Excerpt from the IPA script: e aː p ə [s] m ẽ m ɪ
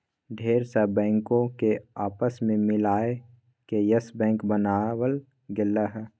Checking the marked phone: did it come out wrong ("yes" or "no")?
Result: no